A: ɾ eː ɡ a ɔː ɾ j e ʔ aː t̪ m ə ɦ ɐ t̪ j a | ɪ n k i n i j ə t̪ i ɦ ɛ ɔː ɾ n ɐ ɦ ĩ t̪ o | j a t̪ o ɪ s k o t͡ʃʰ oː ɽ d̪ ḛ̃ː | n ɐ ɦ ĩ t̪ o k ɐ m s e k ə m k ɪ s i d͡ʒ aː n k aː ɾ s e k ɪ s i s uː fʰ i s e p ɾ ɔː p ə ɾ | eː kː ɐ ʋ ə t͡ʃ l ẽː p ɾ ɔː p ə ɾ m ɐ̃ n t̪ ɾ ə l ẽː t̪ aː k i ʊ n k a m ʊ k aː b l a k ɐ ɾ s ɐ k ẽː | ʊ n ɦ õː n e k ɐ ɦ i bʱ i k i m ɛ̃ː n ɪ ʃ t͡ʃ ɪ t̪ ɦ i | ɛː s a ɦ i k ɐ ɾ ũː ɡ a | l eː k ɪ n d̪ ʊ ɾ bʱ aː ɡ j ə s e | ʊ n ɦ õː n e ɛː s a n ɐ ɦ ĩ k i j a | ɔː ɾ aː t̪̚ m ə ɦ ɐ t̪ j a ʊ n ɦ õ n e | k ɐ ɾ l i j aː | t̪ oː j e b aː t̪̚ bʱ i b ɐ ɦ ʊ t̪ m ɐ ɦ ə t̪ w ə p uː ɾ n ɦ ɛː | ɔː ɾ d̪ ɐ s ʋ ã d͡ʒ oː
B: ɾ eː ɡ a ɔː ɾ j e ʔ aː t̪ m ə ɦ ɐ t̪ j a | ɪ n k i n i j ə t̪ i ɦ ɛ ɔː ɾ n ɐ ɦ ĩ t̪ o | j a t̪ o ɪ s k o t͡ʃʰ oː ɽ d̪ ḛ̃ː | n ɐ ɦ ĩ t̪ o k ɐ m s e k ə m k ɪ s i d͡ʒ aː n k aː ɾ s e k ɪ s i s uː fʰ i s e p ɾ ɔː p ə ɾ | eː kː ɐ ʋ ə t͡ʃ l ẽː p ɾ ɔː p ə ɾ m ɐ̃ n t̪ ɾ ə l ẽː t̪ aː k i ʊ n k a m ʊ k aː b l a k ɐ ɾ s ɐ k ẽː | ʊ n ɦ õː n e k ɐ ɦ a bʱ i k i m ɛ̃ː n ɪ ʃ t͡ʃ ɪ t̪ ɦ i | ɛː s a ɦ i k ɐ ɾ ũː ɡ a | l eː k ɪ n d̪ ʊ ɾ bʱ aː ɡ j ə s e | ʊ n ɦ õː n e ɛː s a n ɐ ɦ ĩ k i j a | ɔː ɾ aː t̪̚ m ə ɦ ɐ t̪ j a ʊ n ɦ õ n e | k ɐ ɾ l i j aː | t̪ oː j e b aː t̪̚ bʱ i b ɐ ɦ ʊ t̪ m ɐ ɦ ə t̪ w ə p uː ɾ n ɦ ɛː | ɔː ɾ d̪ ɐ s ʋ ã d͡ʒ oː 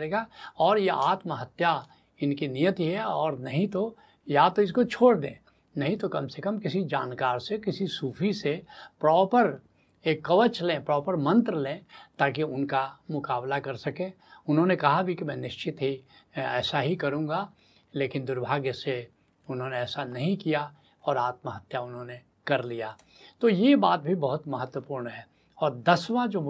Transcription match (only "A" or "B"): B